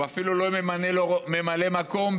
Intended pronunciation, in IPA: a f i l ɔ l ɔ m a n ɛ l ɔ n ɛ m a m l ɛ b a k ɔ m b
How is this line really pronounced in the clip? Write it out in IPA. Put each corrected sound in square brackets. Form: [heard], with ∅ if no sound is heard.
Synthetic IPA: a f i l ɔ l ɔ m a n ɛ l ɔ [m] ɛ m a [∅] l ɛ [m] a k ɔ m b